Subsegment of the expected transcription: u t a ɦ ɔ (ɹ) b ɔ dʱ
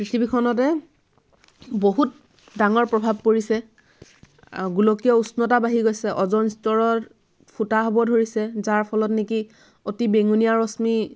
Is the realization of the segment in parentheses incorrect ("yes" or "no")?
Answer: yes